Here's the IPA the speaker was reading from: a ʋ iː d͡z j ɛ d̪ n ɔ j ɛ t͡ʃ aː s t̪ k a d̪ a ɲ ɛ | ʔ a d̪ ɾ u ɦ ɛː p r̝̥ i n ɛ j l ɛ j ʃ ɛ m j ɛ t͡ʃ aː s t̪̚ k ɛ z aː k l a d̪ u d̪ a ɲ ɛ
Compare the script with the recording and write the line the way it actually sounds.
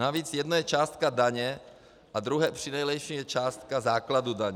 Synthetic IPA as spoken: a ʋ iː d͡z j ɛ d̪ n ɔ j ɛ t͡ʃ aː s t̪ k a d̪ a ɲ ɛ | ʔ a d̪ ɾ u ɦ ɛː p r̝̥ i n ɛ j l ɛ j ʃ i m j ɛ t͡ʃ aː s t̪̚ k a z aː k l a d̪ u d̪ a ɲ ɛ